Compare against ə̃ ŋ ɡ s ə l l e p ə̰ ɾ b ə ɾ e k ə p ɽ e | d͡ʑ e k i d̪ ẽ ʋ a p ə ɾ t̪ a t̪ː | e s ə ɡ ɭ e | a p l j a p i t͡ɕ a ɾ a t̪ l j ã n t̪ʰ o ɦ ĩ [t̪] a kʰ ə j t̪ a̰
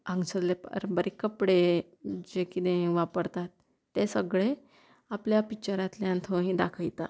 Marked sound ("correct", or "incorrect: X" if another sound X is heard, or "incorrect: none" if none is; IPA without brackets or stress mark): incorrect: d̪